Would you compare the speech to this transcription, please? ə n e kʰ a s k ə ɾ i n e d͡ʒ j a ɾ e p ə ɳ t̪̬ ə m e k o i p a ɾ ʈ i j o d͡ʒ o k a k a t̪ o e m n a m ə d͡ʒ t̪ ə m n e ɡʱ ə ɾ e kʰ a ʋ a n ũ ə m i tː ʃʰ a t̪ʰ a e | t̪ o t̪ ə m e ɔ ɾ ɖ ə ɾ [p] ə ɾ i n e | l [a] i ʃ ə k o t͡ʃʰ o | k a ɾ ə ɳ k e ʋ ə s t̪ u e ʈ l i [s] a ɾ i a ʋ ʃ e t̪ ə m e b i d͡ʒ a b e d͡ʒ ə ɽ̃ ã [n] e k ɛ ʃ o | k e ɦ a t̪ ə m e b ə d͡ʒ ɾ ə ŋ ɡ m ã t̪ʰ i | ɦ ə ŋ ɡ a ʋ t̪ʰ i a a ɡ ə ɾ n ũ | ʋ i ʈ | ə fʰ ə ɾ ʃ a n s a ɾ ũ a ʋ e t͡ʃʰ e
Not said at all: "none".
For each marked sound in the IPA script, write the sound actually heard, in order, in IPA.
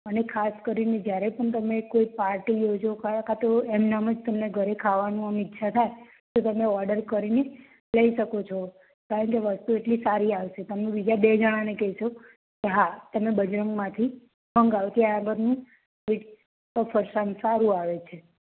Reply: k, ə, s, n

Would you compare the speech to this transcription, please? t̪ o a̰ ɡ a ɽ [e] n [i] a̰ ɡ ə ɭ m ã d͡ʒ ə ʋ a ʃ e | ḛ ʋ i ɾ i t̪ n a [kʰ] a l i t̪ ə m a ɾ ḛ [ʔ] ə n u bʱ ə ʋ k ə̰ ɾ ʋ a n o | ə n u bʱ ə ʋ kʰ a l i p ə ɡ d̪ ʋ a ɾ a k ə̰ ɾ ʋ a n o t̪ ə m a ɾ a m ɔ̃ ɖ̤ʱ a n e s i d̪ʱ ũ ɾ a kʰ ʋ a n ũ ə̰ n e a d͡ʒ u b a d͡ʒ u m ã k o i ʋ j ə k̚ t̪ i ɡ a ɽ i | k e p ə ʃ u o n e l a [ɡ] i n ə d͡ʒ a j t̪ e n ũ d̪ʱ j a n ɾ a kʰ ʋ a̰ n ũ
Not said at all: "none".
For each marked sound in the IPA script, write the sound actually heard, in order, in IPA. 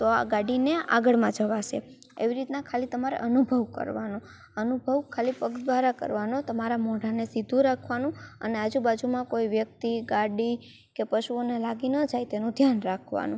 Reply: i, e, kʰ, ʔ, ɡ

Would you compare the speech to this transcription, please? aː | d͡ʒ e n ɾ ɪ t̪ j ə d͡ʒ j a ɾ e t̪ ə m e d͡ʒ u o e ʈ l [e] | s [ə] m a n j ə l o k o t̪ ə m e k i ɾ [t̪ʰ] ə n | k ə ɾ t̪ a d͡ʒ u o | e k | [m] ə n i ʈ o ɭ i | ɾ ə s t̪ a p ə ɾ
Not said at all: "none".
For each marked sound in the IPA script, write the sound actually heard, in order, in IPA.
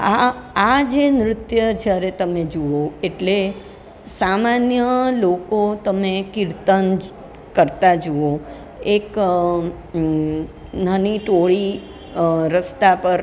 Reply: e, a, t̪, n

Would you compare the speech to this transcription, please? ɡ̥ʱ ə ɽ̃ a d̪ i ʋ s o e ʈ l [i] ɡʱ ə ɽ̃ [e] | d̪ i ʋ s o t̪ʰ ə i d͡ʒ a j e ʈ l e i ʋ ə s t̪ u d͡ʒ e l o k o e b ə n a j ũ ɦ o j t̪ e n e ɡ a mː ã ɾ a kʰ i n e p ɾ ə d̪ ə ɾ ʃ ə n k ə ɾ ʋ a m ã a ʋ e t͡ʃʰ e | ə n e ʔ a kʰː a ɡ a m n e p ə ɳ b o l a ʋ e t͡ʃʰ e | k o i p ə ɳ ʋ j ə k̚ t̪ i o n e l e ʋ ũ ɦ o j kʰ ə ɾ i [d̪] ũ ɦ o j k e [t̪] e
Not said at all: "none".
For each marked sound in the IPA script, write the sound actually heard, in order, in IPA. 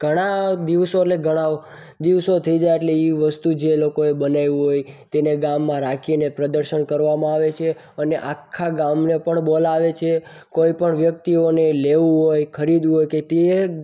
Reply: e, a, d̪, t̪

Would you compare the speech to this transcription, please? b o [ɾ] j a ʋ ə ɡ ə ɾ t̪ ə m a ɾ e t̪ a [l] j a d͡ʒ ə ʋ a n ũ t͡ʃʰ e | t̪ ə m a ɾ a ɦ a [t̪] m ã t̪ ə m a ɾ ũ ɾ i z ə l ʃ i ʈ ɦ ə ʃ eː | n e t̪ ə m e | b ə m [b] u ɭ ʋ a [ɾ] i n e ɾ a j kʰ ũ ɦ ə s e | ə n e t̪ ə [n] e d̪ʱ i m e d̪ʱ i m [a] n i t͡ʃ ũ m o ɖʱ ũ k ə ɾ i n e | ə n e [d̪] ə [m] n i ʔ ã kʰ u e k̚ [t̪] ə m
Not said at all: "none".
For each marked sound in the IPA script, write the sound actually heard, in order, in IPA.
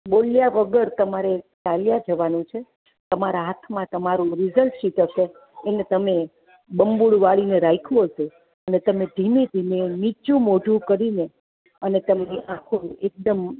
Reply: l, l, t̪ʰ, b, ɭ, m, e, t̪, m, d̪

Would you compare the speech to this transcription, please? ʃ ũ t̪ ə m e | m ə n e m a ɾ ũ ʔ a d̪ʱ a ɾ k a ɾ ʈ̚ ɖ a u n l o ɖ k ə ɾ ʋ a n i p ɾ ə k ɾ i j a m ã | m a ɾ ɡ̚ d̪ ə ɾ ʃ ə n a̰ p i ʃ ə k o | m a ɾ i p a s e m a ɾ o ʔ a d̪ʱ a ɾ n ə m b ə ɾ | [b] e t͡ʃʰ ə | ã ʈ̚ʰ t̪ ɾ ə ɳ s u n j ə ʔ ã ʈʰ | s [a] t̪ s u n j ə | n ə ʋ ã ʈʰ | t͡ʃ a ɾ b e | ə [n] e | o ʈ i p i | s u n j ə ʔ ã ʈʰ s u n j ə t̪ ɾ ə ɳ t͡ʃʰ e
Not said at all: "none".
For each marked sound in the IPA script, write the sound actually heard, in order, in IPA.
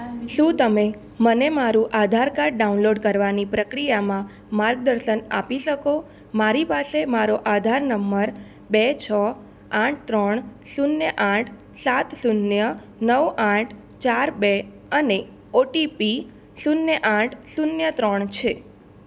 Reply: b, a, n

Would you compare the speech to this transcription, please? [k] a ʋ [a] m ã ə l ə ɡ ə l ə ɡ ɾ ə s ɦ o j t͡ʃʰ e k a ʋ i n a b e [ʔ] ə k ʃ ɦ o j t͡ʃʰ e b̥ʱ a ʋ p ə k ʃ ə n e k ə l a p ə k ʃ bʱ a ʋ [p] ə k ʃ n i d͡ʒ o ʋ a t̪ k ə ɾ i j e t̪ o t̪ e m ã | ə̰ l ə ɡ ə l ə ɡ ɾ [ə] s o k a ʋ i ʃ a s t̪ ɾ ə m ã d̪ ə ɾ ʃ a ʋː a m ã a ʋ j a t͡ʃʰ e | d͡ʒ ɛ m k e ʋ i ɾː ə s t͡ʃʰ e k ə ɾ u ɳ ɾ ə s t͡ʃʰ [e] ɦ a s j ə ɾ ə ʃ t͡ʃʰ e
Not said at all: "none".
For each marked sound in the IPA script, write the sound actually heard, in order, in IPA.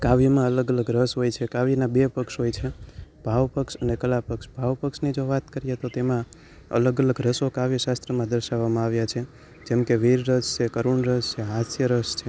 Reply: k, i, p, p, ə, e

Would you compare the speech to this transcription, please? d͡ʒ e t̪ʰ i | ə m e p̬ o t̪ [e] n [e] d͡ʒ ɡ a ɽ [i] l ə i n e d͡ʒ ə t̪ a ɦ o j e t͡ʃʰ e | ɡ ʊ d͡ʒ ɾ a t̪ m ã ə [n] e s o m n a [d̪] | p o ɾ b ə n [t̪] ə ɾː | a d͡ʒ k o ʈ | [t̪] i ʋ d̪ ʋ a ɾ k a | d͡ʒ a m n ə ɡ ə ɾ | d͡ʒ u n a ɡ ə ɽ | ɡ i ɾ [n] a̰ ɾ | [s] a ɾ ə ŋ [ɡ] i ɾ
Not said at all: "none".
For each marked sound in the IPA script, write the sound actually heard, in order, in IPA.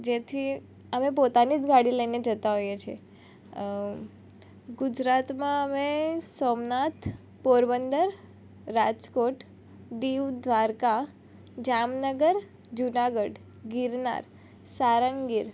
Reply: a, i, i, m, t̪, d̪, d̪, n, s, ɡ

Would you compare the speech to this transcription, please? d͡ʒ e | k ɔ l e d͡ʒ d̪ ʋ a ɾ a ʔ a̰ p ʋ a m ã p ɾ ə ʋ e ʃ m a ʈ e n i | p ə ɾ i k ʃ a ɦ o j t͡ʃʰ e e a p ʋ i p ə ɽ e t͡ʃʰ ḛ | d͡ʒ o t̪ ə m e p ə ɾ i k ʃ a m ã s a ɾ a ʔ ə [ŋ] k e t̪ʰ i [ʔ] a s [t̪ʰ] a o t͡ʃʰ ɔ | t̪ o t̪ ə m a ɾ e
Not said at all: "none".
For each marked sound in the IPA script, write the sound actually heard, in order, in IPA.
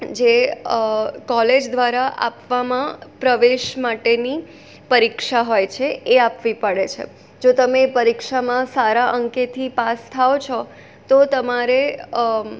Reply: ŋ, p, t̪ʰ

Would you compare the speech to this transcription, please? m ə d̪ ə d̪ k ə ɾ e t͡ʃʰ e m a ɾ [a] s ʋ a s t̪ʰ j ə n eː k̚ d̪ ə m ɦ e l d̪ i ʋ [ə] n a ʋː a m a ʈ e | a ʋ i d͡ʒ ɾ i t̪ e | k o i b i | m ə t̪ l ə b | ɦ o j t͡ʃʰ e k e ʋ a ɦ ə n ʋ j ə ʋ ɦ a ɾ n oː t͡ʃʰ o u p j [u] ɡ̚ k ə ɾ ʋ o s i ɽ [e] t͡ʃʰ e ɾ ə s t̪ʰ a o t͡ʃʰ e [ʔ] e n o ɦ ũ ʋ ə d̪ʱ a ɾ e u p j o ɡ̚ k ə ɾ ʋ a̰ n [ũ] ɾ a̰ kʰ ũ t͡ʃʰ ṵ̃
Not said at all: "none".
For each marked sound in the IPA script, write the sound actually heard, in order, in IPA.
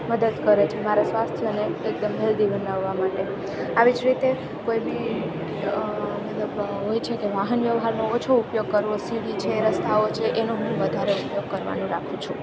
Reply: a, ə, o, i, ʔ, ũ

